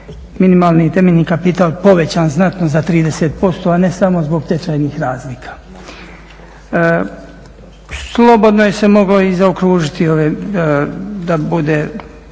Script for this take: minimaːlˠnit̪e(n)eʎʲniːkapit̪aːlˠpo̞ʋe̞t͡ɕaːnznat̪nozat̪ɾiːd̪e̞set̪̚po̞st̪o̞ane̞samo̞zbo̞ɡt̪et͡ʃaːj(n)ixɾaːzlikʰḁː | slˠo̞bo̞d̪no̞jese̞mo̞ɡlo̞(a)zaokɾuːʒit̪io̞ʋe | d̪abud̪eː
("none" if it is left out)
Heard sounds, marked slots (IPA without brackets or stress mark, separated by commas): m, n, i